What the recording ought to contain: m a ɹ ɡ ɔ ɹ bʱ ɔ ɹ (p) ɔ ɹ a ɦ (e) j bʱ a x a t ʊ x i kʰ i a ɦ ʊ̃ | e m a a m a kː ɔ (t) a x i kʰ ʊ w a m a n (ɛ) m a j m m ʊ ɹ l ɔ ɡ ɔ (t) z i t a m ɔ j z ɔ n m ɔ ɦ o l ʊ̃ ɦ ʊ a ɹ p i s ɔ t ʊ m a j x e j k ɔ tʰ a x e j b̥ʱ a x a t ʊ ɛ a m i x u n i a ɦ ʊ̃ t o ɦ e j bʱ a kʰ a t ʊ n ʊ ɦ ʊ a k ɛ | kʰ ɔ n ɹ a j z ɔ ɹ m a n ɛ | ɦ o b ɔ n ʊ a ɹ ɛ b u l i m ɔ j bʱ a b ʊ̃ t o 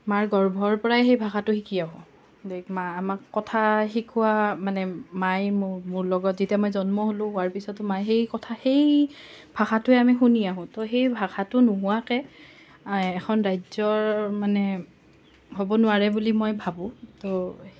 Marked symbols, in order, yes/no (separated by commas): yes, yes, no, yes, yes